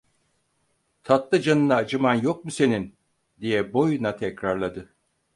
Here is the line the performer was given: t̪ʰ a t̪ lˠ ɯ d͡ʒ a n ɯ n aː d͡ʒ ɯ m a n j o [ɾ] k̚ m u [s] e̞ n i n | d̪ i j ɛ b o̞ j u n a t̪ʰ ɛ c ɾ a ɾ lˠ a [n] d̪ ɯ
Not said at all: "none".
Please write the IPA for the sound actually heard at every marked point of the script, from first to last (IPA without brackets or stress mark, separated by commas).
none, s, none